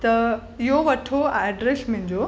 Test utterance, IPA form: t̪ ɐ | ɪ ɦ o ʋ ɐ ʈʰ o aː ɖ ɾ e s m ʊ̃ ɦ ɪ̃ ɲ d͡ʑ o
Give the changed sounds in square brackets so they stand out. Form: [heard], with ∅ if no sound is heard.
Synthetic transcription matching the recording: t̪ ɐ | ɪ ɦ o ʋ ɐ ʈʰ o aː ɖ ɾ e s m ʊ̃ ɦ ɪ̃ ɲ d͡ʑ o